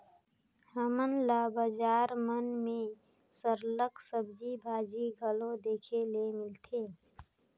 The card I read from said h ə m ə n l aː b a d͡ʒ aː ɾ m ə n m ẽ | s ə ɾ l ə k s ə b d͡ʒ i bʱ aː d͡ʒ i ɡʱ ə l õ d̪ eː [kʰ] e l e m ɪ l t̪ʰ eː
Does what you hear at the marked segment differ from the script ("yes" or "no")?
no